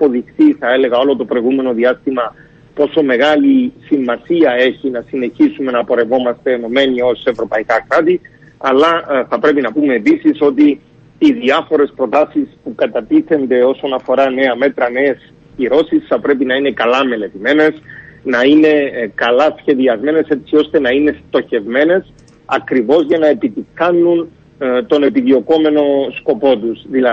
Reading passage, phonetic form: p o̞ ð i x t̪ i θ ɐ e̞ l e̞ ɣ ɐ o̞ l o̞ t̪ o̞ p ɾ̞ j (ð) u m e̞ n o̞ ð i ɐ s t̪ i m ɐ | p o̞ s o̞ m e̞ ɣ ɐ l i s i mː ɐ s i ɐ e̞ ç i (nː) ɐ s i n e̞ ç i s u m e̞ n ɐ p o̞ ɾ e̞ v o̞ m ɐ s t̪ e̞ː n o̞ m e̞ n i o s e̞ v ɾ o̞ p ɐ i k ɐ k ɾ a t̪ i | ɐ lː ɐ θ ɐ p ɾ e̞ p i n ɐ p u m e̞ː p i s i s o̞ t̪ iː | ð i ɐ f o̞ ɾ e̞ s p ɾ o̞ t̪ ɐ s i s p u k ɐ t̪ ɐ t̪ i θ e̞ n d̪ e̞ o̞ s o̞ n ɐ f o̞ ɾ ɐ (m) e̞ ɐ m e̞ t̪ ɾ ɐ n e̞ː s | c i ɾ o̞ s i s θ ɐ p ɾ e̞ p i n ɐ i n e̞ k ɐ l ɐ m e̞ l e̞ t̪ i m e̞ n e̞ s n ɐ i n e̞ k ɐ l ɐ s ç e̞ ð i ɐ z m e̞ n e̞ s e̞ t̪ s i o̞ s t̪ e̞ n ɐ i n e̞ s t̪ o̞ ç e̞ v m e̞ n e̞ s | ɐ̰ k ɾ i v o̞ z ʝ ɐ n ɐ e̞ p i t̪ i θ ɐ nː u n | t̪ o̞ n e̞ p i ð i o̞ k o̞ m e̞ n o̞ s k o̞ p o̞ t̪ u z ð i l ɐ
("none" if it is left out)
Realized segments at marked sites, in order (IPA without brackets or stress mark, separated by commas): ɣ, n, n